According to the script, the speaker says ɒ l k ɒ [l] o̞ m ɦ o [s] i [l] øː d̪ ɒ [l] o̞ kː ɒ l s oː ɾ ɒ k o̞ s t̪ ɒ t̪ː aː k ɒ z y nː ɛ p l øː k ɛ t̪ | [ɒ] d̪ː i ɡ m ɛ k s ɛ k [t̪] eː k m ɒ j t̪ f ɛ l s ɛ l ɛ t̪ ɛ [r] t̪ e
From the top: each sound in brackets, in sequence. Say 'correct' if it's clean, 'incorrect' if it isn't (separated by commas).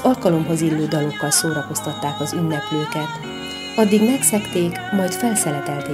correct, incorrect, incorrect, correct, correct, correct, incorrect